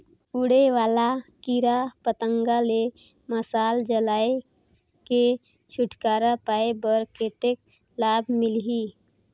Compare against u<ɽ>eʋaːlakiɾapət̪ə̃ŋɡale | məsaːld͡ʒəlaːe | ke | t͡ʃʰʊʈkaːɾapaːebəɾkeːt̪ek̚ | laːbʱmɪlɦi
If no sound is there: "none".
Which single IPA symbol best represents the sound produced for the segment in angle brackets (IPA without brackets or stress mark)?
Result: ɽ